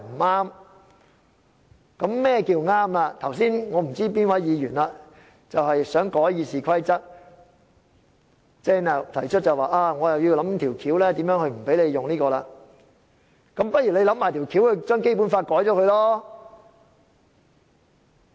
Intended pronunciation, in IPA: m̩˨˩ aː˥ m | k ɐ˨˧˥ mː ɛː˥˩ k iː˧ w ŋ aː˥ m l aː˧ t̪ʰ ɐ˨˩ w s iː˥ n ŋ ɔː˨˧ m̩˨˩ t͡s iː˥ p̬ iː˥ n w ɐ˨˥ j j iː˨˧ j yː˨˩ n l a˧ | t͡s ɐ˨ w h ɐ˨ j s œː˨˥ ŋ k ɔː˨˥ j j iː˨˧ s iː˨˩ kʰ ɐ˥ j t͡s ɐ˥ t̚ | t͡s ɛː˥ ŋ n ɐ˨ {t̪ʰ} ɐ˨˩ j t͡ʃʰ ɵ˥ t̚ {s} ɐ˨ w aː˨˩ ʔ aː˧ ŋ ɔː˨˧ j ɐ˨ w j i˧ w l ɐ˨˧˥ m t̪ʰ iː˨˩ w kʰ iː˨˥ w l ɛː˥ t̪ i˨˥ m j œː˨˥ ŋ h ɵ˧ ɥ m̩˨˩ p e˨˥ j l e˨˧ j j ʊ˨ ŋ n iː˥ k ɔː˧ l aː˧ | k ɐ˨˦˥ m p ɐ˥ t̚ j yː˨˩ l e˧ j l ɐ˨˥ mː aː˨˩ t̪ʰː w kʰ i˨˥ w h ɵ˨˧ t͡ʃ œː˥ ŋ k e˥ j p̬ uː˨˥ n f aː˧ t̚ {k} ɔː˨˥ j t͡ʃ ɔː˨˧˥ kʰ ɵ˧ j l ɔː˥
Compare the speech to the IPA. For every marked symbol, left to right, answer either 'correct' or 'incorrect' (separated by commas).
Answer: correct, incorrect, correct